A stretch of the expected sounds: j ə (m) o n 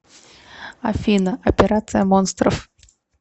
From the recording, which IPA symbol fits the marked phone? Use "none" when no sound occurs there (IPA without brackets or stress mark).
m